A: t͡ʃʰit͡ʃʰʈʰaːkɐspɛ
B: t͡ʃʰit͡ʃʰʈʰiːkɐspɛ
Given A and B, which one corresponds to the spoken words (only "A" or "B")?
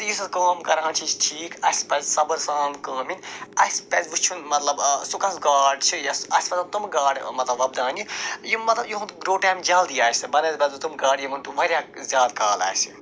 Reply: B